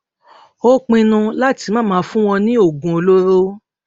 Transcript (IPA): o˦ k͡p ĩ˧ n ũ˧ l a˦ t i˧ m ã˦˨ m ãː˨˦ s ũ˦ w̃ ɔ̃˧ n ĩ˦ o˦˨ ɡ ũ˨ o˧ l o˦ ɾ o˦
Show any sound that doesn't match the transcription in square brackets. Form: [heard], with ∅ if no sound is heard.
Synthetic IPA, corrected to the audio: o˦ k͡p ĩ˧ n ũ˧ l a˦ t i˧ m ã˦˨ m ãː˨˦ [f] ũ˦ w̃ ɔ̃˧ n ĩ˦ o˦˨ ɡ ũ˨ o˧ l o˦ ɾ o˦